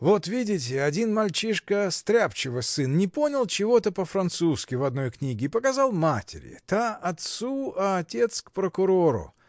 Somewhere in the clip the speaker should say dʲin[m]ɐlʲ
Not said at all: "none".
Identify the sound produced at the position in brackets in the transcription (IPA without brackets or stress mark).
m